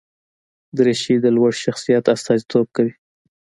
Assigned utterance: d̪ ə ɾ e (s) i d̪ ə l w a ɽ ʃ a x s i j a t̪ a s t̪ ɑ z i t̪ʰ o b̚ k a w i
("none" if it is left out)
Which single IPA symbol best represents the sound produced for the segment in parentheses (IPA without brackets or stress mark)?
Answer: ʃ